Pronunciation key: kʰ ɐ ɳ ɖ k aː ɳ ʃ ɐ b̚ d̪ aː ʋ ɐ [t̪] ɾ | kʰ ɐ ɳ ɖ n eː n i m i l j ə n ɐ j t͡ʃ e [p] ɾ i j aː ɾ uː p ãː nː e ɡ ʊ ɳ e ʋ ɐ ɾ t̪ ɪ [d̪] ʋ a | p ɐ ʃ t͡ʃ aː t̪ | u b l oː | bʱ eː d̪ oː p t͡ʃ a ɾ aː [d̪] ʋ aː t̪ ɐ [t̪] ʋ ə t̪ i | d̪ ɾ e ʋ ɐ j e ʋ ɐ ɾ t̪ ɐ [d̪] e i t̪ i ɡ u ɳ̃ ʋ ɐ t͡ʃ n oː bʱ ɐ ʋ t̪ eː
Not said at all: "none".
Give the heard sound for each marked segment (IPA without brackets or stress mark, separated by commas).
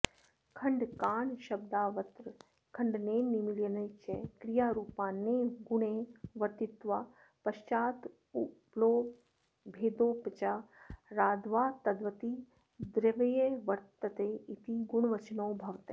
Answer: t̪, k, t̪, d̪, d̪, t̪